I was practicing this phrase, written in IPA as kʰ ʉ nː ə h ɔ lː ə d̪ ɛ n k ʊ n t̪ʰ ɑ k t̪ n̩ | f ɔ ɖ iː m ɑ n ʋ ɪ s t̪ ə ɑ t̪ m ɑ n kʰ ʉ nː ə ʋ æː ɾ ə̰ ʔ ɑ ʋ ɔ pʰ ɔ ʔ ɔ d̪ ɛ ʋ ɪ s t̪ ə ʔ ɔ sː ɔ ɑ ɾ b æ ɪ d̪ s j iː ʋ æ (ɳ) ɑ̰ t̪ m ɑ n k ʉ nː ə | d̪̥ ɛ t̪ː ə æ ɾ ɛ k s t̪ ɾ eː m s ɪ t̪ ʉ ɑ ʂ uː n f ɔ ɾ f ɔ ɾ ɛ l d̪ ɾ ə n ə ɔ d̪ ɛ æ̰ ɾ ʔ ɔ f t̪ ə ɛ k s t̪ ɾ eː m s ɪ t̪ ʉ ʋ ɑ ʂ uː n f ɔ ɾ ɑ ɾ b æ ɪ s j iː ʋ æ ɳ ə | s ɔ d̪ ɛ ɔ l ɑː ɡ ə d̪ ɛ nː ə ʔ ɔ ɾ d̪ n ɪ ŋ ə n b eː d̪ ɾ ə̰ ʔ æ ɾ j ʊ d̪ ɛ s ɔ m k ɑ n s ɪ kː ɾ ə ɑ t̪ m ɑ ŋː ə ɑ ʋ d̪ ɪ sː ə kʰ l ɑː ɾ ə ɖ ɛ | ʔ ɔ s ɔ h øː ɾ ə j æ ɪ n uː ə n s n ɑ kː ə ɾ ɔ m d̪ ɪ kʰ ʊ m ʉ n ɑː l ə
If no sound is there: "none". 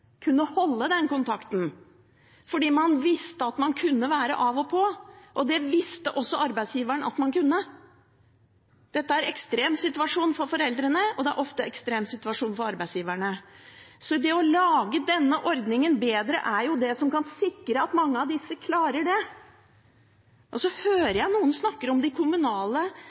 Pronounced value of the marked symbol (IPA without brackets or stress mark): ɳ